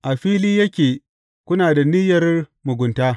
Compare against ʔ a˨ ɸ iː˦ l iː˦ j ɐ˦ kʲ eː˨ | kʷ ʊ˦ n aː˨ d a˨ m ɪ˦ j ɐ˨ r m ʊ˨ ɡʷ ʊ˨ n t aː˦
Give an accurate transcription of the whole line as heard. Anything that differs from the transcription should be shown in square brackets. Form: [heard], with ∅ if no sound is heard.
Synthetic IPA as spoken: ʔ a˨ ɸ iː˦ l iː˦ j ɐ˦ kʲ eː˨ | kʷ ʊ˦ n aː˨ d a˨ [n] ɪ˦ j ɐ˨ r m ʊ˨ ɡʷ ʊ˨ n t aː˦